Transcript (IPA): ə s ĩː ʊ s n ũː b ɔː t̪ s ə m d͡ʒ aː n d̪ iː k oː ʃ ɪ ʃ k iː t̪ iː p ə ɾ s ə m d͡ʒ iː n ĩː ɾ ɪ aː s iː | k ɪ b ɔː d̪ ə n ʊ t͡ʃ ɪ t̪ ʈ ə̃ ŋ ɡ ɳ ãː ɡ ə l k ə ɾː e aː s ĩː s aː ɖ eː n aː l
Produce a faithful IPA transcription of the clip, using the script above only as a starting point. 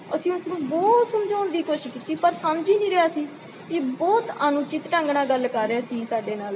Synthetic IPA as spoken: ə s ĩː ʊ s n ũː b ɔː t̪ s ə m d͡ʒ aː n d̪ iː k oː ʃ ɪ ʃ k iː t̪ iː p ə ɾ s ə m d͡ʒ iː n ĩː ɾ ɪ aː s iː | k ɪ b ɔː t̪ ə n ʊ t͡ʃ ɪ t̪ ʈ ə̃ ŋ ɡ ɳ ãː ɡ ə l k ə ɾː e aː s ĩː s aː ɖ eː n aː l